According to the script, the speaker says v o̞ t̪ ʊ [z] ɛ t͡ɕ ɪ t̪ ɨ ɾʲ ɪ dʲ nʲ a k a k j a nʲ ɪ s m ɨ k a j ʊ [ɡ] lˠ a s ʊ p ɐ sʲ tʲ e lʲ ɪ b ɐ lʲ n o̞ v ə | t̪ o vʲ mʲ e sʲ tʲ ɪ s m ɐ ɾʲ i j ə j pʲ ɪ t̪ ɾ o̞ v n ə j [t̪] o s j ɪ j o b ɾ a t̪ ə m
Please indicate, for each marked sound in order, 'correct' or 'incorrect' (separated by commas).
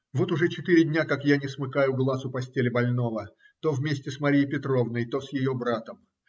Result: incorrect, correct, correct